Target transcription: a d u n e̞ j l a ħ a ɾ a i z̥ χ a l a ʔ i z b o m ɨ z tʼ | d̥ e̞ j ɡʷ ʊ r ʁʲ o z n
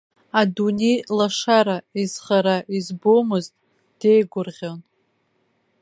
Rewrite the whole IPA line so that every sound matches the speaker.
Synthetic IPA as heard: a d u n e̞ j l a ʂ a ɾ a i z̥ χ a ɾ a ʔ i z b o m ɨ z tʼ | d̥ e̞ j ɡʷ ʊ r ʁʲ o n